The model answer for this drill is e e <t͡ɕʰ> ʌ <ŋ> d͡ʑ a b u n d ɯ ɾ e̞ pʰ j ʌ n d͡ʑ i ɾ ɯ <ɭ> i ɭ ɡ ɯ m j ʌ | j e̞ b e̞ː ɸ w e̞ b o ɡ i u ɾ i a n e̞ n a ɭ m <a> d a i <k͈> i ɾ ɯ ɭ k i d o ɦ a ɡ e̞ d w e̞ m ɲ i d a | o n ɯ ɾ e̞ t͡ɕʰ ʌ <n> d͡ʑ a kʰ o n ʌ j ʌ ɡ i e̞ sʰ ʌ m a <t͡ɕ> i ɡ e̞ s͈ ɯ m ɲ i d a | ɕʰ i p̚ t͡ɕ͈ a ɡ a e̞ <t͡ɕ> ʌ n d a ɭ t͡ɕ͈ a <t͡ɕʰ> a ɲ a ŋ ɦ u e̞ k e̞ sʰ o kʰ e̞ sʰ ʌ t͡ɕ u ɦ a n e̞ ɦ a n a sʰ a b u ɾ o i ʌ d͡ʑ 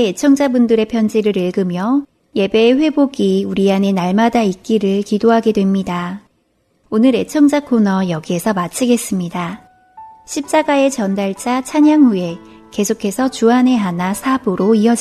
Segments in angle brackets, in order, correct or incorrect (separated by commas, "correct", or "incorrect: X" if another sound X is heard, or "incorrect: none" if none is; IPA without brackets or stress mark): correct, correct, incorrect: ɾ, correct, correct, incorrect: ŋ, incorrect: t͡ɕʰ, correct, correct